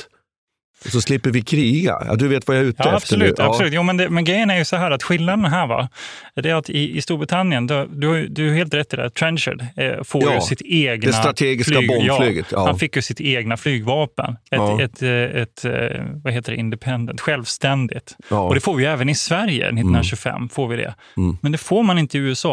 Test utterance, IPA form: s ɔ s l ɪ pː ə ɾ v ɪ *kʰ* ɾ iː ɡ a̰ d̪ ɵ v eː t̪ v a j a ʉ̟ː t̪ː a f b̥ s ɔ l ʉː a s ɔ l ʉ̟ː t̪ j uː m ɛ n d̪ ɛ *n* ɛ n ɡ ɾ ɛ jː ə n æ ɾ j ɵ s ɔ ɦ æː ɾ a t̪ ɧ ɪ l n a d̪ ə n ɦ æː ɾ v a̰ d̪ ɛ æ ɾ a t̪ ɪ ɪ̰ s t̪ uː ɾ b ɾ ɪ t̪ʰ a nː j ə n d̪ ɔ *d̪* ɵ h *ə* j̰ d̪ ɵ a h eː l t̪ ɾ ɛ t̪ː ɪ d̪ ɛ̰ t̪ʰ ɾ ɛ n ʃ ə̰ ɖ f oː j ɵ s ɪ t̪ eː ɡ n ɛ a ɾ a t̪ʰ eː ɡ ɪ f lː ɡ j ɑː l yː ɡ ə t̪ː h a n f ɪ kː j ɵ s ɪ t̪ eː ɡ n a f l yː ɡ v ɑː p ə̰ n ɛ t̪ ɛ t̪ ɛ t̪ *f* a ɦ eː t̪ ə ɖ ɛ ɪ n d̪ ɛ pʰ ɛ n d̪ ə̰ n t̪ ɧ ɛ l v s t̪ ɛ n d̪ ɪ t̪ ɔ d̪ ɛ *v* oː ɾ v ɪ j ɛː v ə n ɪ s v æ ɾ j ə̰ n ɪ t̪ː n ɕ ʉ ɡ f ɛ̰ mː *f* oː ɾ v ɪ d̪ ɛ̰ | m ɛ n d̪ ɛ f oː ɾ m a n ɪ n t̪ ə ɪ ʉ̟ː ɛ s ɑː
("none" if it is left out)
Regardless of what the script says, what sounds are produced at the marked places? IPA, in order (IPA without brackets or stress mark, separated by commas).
kʰ, m, d̪, a, v, f, f